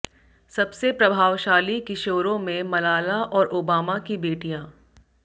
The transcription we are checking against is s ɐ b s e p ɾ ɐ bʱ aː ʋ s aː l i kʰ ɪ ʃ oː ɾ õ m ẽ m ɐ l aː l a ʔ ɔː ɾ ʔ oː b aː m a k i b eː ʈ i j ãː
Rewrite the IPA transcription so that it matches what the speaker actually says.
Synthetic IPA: s ɐ b s e p ɾ ɐ bʱ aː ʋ ʃ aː l i k ɪ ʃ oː ɾ õ m ẽ m ɐ l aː l a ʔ ɔː ɾ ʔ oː b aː m a k i b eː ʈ i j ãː